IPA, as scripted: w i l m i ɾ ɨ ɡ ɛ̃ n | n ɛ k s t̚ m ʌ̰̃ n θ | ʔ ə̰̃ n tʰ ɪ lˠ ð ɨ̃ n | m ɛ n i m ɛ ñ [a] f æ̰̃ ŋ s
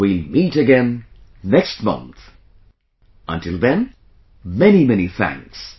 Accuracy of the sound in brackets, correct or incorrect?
incorrect: i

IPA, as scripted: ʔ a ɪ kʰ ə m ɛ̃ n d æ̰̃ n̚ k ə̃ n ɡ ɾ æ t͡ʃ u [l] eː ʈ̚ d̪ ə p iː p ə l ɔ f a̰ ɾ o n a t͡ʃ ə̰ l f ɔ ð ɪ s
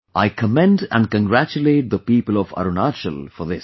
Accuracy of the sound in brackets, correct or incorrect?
correct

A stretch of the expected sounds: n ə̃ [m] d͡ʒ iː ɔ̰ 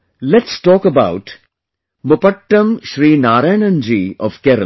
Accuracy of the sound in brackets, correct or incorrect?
incorrect: n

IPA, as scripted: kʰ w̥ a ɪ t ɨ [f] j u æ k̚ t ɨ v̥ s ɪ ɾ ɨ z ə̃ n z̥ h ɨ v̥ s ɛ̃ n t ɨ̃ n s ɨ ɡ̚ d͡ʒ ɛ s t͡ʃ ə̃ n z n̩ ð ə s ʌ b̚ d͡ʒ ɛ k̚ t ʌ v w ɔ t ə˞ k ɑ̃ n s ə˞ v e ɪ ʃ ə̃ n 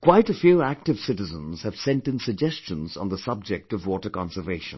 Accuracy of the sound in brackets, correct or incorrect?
correct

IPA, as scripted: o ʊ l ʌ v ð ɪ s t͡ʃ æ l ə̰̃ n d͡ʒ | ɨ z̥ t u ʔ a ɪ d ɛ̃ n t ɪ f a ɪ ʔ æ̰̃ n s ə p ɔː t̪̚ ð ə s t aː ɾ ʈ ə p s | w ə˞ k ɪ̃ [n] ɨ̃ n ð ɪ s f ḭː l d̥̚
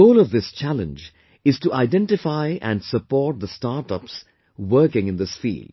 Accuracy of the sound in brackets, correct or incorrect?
incorrect: ŋ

